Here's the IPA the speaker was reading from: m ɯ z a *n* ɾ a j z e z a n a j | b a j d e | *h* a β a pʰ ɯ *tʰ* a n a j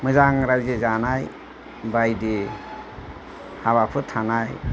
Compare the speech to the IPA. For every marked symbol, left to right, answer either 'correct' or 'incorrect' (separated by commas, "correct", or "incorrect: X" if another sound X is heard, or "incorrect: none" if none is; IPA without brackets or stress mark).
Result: incorrect: ŋ, correct, correct